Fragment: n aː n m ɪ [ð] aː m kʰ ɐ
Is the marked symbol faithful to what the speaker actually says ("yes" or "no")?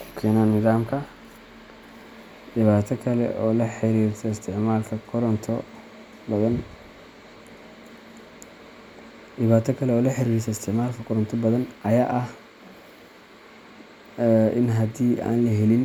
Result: yes